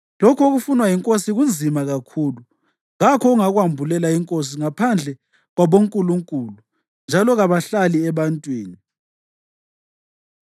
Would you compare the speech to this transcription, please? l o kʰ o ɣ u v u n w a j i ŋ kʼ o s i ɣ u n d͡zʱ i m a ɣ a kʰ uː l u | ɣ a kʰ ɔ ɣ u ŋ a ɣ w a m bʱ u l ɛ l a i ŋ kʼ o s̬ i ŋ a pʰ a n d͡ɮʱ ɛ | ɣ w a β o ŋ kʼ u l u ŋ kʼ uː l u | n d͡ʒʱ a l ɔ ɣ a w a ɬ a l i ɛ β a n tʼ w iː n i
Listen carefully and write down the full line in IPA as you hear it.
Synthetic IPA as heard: l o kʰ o ɣ u f u n w a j i ŋ kʼ o s i ɣ u n d͡zʱ i m a ɣ a kʰ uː l u | ɣ a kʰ ɔ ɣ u ŋ a ɣ w a m bʱ u l ɛ l a i ŋ kʼ o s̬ i ŋ a pʰ a n d͡ɮʱ ɛ | ɣ w a β o ŋ kʼ u l u ŋ kʼ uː l u | n d͡ʒʱ a l ɔ ɣ a β a ɬ a l i ɛ β a n tʼ w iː n i